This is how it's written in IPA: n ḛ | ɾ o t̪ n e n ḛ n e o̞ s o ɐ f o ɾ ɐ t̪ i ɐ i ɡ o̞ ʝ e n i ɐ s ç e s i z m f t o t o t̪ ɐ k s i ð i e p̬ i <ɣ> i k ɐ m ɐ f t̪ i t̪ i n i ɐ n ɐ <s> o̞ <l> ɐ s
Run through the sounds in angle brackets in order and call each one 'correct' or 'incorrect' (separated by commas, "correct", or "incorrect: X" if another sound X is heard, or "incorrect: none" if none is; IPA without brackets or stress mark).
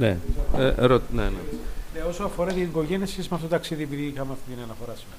incorrect: ð, incorrect: f, incorrect: ɾ